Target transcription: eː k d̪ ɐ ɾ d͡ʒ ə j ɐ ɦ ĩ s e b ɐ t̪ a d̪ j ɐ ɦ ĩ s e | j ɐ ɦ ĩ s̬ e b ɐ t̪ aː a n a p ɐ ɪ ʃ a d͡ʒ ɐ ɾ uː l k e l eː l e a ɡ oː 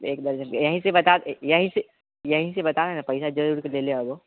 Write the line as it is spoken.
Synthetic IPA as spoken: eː k d̪ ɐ ɾ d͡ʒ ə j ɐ ɦ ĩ s e b ɐ t̪ a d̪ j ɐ ɦ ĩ s e | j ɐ ɦ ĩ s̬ e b ɐ t̪ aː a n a p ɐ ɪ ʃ a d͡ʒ ɐ ɾ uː ɾ k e l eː l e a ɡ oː